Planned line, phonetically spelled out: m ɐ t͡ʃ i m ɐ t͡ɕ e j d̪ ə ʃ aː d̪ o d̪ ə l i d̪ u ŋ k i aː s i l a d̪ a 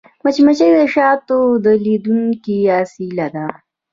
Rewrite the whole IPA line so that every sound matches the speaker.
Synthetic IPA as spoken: m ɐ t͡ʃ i m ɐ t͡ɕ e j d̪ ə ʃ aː t̪ o d̪ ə l i d̪ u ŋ k i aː s i l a d̪ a

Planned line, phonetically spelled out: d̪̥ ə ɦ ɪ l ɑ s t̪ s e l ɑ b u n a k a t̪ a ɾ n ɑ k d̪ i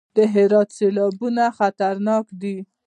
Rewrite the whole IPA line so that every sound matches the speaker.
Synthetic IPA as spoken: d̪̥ ə ɦ ɪ ɾ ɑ t̪ s e l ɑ b u n a x a t̪ a ɾ n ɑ k d̪ i

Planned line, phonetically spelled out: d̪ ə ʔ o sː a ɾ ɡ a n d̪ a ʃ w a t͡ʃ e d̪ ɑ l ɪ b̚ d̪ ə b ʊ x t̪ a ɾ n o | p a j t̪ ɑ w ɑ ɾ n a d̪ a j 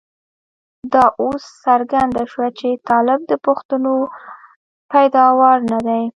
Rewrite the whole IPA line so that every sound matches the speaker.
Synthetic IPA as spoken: d̪ ɑ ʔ o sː a ɾ ɡ a n d̪ a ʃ w a t͡ʃ e t̪ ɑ l ɪ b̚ d̪ ə p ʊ x t̪ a n o | p a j d̪ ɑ w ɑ ɾ n a d̪ a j

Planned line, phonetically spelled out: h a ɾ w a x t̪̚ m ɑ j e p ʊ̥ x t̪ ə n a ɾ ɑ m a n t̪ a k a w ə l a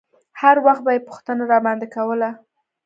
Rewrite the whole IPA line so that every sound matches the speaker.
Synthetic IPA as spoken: h a ɾ w a x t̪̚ b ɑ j e p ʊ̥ x t̪ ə n a ɾ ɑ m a n d̪ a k a w ə l a

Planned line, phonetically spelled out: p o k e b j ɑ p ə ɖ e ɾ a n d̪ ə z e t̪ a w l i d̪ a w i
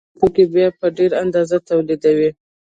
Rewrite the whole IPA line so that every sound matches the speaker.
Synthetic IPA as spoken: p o k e b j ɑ p ə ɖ e ɾ a n d̪ ɑ z a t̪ a w l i d̪ a w i

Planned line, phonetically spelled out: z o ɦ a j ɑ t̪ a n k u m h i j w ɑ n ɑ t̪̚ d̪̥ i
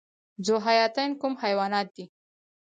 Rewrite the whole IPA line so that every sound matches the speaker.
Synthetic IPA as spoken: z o ɦ a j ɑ t̪ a n k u m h a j w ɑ n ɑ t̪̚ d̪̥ i

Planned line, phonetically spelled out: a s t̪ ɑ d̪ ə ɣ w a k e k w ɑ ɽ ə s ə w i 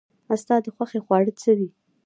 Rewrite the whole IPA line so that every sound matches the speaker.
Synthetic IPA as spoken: a s t̪ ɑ d̪ ə x w a x e x w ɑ ɽ ə t͡s ə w i

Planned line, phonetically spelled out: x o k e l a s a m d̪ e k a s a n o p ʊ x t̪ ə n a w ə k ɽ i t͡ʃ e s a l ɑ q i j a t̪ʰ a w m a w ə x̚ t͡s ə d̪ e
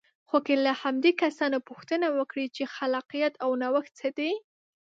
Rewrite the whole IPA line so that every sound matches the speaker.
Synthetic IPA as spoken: x o k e l a h a m d̪ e k a s ɑ n o p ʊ x t̪ ə n a w ə k ɽ i t͡ʃ e x a l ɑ q i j a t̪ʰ a w n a w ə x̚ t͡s ə d̪ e

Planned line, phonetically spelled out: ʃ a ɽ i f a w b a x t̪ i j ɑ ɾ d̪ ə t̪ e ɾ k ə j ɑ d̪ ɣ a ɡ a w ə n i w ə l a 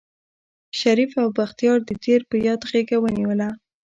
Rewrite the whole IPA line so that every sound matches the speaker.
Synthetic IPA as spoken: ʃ a ɾ i f a w b a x t̪ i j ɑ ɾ d̪ ə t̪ e ɾ p ə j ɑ d̪ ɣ e ɡ a w ə n i w ə l a

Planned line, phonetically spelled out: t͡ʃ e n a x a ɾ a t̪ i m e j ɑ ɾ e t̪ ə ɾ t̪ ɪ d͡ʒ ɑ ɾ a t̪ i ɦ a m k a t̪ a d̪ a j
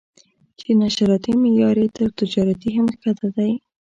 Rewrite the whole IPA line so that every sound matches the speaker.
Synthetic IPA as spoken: t͡ʃ e n a ʃ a ɾ ɑ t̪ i m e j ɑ ɾ e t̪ ə ɾ t̪ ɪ d͡ʒ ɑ ɾ a t̪ i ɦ a m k a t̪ a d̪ a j

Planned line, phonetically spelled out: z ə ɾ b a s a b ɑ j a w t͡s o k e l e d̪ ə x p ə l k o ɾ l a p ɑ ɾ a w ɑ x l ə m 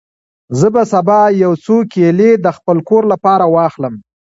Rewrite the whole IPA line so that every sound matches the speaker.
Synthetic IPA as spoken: z ə b a s a b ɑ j a w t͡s o k e l e d̪ ə x p ə l k o ɾ l a p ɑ ɾ a w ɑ x l ə m

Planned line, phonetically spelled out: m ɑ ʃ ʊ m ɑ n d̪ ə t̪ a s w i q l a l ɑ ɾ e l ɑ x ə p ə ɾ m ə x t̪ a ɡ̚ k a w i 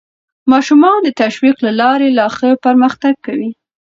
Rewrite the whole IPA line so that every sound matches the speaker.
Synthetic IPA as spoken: m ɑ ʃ u m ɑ n d̪ ə t̪ a ʃ w i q l a l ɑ ɾ e l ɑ x ə p ə ɾ m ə x t̪ a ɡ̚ k a w i

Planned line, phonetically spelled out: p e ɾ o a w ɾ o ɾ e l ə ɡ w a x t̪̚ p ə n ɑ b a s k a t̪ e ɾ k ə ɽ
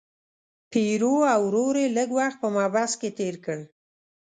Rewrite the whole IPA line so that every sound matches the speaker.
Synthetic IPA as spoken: p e ɾ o a w ɾ o ɾ e l ə ɡ w a x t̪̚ p ə m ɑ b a s k e t̪ e ɾ k ə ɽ

